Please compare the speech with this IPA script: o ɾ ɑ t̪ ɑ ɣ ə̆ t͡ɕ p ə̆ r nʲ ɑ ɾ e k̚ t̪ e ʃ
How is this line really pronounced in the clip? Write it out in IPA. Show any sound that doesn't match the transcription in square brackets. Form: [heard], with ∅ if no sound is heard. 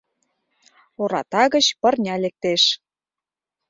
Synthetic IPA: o ɾ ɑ t̪ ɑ ɣ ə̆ t͡ɕ p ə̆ r nʲ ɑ [l] e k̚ t̪ e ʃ